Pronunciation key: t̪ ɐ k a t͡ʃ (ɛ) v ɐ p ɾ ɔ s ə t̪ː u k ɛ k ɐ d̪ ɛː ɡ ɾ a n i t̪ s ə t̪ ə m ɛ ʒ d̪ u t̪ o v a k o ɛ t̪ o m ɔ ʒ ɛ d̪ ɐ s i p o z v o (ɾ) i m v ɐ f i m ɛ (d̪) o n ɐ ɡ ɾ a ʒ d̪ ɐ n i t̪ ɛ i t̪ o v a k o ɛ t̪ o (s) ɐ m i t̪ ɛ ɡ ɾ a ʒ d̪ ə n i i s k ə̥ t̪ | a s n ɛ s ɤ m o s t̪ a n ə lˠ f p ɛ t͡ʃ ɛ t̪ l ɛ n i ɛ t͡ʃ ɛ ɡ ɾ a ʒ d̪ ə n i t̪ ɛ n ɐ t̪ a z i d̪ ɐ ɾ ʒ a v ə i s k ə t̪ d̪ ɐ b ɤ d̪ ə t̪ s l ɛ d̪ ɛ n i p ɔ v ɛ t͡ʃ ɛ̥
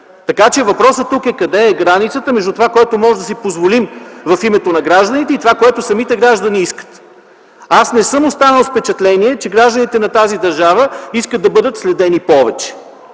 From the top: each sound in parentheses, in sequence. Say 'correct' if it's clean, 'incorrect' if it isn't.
correct, incorrect: l, incorrect: t̪, correct

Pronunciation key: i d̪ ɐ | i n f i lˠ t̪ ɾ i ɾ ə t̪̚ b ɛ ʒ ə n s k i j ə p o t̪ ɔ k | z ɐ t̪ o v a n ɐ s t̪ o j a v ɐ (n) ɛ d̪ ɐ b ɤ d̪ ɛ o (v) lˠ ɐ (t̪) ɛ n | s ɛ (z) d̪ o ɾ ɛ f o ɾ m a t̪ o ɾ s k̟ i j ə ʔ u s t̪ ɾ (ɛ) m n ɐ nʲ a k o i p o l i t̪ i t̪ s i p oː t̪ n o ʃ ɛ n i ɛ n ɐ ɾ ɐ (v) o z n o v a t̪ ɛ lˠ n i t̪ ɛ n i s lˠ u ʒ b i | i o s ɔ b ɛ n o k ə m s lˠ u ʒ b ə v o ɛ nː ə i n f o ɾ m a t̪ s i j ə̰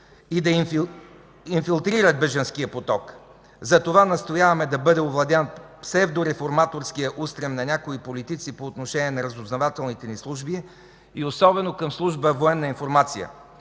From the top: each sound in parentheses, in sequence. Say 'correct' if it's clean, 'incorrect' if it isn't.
incorrect: m, correct, incorrect: d̪, incorrect: v, correct, incorrect: z

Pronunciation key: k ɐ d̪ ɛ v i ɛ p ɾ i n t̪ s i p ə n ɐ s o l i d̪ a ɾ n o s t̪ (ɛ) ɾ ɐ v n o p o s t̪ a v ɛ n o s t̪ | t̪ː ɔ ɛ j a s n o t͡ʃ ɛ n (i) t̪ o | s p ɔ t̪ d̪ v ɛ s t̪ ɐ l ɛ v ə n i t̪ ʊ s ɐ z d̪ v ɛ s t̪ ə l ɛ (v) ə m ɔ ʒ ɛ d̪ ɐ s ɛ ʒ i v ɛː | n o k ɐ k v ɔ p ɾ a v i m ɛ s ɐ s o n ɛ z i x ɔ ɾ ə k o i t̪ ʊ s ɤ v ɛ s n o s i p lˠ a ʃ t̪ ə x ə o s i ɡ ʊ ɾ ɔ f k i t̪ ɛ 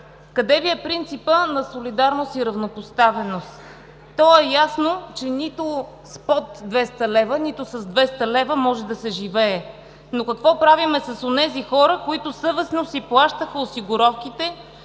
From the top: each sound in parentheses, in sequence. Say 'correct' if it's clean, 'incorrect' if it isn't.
incorrect: i, correct, correct

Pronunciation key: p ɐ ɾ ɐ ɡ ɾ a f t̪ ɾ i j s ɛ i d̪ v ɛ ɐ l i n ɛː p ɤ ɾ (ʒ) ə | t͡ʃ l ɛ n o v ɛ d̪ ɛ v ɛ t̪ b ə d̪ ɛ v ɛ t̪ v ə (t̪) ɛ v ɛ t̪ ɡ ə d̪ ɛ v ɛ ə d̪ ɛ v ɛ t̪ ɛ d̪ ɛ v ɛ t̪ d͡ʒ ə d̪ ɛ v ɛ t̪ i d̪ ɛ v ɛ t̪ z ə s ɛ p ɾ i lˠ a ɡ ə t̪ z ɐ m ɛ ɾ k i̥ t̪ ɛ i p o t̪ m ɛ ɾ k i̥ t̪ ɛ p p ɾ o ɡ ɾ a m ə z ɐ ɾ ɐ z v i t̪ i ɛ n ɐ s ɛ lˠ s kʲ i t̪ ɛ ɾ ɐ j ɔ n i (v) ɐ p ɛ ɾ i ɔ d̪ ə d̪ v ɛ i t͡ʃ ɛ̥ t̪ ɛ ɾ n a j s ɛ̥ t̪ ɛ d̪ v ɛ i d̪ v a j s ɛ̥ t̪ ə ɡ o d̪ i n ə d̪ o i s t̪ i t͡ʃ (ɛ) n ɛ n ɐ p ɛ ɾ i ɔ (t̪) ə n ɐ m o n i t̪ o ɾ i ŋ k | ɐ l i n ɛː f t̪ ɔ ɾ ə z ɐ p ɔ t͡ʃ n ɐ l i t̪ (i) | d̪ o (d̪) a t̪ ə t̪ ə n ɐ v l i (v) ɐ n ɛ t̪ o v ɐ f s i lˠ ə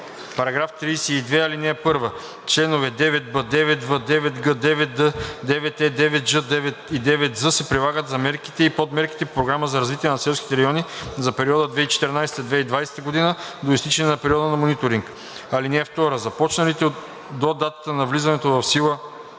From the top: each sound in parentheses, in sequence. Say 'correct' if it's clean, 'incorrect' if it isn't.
incorrect: v, incorrect: d̪, incorrect: z, correct, incorrect: d̪, incorrect: ɛ, correct, incorrect: z

